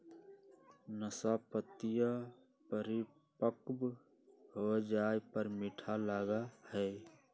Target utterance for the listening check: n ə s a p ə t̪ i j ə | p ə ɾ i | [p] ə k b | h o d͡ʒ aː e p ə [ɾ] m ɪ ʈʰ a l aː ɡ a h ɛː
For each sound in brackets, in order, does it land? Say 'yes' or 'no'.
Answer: yes, yes

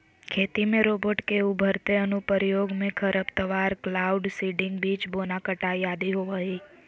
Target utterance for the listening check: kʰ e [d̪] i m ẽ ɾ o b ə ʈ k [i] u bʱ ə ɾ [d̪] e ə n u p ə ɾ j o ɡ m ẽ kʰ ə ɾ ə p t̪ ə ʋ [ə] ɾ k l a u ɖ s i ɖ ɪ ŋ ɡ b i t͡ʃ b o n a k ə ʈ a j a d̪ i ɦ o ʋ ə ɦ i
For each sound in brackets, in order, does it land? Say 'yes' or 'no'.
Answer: no, no, no, no

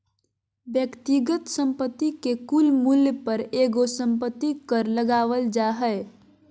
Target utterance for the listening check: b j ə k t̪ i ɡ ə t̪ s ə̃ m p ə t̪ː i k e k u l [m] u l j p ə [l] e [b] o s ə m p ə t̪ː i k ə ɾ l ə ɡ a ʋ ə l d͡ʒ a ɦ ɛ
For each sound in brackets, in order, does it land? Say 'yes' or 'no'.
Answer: yes, no, no

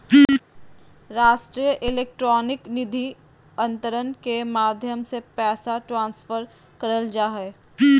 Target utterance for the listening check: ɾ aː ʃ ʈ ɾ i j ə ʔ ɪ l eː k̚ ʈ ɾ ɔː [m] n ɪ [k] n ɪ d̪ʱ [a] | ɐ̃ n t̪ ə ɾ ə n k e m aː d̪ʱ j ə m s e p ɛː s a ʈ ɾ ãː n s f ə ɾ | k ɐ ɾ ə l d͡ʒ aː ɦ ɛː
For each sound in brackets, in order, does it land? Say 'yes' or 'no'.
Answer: no, yes, no

